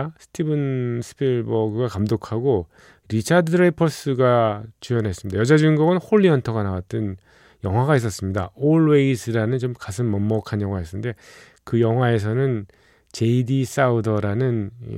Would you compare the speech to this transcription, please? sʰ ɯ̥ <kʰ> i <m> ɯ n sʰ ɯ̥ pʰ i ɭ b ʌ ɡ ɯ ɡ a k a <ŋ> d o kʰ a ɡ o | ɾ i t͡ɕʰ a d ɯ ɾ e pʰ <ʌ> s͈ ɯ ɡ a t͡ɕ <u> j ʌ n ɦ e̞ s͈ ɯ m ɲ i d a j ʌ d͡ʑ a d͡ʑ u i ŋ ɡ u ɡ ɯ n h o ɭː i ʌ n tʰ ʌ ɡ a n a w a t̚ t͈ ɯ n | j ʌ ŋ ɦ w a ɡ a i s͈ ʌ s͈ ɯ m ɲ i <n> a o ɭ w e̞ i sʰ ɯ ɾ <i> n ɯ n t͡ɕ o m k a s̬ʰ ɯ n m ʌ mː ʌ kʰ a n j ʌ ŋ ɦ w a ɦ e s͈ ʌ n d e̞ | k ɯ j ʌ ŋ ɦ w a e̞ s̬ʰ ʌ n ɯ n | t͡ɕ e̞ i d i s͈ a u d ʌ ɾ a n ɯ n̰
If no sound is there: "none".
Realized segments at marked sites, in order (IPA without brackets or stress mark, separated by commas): tʰ, b, m, ʌ, u, d, a